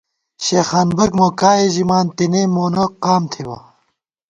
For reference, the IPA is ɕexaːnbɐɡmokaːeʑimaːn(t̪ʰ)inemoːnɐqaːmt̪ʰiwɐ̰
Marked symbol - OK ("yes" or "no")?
no